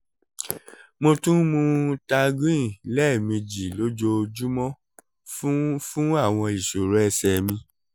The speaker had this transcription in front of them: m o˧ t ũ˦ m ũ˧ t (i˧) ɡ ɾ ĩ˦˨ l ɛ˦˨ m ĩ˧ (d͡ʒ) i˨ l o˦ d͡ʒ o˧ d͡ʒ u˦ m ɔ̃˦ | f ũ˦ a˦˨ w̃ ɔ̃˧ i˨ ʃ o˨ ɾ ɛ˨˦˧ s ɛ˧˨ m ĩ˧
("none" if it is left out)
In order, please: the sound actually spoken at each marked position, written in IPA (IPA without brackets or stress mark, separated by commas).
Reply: a˧, d͡ʒ